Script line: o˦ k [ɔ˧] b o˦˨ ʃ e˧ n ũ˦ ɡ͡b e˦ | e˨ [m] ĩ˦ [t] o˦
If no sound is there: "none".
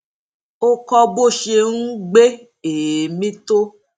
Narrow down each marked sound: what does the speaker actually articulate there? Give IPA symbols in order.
ɔ˧, m, t

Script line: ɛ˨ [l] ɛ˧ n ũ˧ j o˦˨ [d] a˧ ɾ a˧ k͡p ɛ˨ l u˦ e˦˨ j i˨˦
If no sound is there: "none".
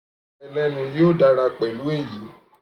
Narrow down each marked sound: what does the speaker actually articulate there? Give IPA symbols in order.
l, d

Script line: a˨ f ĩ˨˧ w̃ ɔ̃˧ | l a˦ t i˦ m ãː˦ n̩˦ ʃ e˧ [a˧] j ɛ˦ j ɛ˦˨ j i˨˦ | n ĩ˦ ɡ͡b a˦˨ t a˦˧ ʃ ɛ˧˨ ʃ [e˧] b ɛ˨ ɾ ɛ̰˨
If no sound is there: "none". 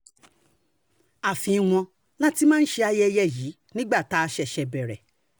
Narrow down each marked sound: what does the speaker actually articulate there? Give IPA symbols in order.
a˧, ɛ˧

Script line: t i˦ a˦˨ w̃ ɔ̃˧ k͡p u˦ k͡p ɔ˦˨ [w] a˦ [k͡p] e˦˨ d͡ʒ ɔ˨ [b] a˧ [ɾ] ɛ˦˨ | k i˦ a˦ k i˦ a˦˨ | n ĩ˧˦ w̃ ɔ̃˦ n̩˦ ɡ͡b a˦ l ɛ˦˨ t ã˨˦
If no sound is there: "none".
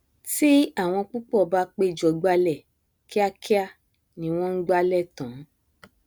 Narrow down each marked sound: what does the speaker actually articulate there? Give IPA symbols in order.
b, k͡p, ɡ͡b, l

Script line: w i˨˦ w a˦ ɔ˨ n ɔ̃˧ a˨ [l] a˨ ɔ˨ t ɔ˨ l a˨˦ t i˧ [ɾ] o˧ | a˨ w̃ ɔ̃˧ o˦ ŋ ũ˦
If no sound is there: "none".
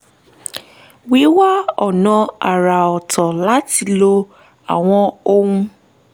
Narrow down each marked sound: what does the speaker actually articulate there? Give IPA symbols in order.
ɾ, l

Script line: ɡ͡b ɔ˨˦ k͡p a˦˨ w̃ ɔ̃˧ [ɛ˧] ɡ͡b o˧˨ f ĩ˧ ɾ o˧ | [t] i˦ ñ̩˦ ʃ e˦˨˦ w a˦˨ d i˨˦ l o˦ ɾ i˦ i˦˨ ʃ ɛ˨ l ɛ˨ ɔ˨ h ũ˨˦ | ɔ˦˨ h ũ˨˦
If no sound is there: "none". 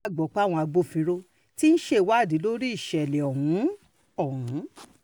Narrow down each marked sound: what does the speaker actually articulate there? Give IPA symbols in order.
a˧, t

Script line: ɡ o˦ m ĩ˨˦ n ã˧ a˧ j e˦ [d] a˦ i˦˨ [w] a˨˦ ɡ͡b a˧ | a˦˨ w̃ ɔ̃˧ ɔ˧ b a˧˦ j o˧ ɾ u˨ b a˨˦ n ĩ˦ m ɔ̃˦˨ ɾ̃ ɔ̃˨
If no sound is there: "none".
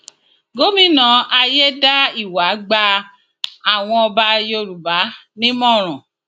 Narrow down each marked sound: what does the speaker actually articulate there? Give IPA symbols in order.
d, w

